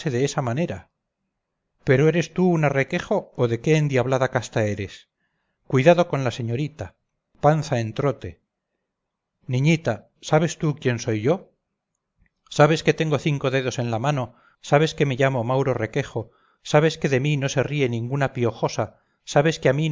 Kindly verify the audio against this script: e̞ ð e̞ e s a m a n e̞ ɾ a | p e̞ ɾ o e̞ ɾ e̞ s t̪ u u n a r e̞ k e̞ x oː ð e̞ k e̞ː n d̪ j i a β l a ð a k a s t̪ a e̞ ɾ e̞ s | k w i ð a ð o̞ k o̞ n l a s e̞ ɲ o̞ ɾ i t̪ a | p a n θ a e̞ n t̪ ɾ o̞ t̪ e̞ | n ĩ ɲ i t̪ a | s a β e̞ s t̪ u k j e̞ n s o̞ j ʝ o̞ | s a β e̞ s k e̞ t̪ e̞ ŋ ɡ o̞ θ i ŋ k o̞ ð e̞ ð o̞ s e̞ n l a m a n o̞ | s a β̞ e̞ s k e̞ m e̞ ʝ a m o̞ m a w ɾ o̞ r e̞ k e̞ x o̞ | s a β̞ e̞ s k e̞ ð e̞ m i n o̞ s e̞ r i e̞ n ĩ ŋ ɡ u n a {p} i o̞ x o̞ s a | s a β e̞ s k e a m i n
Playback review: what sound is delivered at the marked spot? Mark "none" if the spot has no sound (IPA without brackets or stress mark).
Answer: p